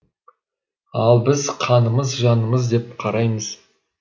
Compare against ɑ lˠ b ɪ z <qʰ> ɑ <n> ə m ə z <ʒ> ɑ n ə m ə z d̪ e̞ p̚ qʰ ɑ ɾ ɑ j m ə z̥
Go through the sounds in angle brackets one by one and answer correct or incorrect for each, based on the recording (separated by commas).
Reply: correct, correct, correct